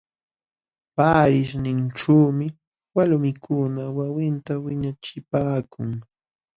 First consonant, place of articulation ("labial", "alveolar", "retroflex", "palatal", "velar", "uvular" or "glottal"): labial